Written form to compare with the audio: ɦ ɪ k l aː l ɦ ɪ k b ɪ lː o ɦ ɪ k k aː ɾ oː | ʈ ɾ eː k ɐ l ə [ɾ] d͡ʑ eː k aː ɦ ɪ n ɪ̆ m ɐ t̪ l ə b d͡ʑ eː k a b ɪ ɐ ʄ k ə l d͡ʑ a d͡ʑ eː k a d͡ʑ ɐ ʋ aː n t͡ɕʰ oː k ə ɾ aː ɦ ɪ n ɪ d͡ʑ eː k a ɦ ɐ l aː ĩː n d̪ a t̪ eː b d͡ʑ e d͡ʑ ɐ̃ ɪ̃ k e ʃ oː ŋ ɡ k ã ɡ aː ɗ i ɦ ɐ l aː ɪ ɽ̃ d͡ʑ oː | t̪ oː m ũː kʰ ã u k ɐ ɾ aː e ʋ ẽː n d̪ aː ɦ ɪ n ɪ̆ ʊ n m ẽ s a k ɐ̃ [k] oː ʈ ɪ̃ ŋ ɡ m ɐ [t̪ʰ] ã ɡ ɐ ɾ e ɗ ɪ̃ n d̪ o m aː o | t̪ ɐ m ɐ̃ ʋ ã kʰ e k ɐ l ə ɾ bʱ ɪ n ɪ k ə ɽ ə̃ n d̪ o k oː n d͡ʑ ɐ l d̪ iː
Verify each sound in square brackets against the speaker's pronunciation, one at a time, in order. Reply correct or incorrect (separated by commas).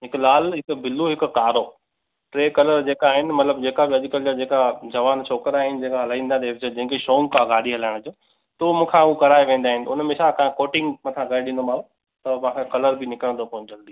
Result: correct, correct, correct